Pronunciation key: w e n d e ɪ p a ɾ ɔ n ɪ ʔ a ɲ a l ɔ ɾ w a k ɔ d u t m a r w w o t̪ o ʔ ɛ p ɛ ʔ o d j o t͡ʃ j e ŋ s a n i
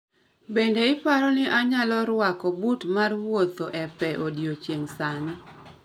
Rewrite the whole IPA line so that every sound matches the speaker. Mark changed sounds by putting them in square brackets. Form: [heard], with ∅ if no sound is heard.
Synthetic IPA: [b] e n d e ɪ p a ɾ ɔ n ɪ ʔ a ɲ a l ɔ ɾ w a k ɔ [b] u t m a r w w o t̪ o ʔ ɛ p ɛ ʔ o d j o t͡ʃ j e ŋ s a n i